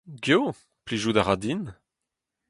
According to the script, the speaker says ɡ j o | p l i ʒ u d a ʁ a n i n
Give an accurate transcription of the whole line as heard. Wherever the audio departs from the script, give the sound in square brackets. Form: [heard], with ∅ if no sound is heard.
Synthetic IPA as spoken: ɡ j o | p l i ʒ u d a ʁ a [d] i n